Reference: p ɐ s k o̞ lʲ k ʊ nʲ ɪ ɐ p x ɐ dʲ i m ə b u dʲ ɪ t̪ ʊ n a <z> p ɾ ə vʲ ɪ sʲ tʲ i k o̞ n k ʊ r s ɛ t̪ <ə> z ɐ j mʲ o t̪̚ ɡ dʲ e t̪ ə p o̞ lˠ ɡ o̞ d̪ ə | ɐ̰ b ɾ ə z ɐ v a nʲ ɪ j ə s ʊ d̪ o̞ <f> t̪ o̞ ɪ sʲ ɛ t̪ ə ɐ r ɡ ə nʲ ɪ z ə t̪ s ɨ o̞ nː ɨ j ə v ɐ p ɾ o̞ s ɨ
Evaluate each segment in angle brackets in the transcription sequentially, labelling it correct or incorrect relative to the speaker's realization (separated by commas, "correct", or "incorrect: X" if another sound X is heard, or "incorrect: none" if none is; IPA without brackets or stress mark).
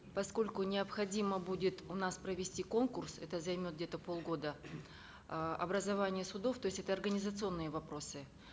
incorrect: s, correct, correct